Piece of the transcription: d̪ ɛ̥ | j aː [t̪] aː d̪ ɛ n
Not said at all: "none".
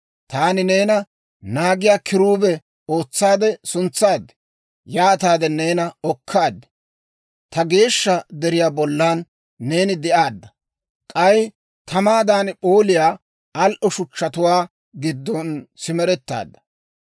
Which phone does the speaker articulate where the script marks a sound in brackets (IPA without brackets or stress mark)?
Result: t̪